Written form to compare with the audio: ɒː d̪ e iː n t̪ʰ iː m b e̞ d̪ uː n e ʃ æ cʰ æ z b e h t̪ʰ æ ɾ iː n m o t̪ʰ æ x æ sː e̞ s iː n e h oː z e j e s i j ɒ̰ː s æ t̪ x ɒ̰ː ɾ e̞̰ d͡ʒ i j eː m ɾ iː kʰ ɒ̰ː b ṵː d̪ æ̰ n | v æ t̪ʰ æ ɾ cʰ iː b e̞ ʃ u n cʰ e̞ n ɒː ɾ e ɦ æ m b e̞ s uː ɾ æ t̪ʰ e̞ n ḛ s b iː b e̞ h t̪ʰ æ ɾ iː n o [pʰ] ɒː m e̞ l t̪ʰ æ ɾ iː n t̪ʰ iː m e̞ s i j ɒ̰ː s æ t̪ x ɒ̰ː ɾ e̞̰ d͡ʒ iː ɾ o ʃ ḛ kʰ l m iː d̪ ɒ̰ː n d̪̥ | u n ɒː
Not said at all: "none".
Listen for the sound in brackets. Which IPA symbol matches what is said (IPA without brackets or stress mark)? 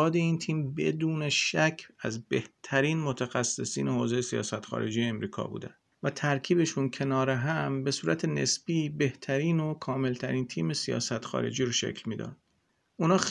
kʰ